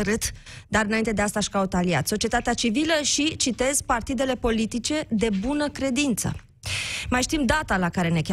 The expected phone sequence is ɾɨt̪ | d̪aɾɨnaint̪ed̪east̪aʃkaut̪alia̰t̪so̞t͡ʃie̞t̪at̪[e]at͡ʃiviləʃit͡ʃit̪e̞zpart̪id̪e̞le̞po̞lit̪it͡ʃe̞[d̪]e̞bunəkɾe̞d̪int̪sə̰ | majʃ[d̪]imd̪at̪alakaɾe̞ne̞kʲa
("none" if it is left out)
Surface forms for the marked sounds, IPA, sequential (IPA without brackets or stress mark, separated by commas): e, d̪, t̪